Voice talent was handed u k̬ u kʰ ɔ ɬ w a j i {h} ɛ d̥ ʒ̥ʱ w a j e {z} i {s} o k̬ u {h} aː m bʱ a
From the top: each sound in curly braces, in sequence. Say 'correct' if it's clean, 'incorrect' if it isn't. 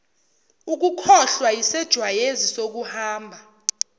incorrect: s, correct, correct, correct

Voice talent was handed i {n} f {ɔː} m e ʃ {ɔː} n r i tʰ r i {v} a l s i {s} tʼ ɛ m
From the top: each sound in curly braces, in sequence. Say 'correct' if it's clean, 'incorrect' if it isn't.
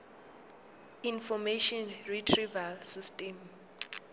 correct, incorrect: ɔ, incorrect: ɔ, correct, correct

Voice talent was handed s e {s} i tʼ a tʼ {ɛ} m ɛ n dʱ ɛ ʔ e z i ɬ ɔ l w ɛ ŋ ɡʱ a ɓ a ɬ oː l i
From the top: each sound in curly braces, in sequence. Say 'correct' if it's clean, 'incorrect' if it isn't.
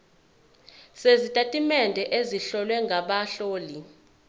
incorrect: z, incorrect: i

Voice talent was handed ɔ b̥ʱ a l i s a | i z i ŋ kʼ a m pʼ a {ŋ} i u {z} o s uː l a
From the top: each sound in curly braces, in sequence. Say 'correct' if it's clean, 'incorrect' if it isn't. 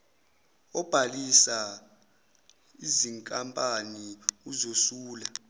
incorrect: n, correct

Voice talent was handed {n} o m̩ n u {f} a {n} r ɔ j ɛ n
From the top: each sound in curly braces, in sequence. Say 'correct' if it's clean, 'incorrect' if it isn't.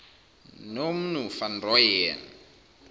correct, correct, correct

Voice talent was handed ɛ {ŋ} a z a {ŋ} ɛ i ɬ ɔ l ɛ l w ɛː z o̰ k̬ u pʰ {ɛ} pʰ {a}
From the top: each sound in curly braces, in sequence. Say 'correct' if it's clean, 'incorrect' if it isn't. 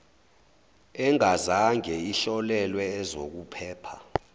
correct, correct, incorrect: ɛː, correct

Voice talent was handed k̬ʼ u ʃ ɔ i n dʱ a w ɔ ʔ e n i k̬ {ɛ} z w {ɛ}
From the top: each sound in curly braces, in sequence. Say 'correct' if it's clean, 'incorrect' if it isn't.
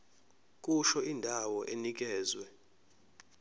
incorrect: ɛː, correct

